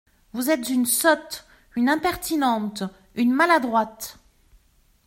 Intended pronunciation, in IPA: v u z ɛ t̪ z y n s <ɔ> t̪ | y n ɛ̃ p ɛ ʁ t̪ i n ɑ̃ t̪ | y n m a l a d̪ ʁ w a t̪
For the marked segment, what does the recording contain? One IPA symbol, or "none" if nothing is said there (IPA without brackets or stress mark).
ɔ